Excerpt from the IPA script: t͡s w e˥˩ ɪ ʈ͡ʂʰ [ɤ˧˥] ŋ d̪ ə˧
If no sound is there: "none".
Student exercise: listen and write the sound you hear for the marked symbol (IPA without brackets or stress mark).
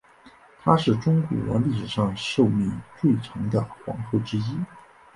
ɤ˧˥